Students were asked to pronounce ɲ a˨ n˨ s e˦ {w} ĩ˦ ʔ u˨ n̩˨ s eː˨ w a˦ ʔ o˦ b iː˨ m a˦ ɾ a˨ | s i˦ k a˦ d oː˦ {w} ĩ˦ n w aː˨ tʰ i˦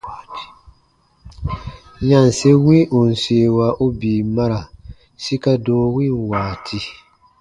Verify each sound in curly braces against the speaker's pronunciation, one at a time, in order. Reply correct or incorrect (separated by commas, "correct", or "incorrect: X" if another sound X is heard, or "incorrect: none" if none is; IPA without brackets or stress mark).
correct, correct